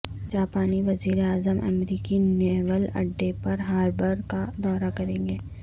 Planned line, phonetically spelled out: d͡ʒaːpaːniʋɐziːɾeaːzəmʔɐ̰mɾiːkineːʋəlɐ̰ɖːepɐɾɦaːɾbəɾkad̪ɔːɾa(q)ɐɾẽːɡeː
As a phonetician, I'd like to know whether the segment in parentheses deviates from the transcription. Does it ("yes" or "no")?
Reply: yes